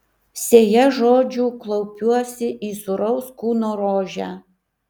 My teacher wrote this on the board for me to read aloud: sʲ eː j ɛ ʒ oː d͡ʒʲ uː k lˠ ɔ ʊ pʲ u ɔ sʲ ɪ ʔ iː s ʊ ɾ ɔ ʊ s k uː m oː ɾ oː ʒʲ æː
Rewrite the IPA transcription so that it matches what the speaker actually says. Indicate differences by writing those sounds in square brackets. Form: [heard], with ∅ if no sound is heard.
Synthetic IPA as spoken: sʲ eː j ɛ ʒ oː d͡ʒʲ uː k lˠ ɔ ʊ pʲ u ɔ sʲ ɪ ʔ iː s ʊ ɾ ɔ ʊ s k uː [n] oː ɾ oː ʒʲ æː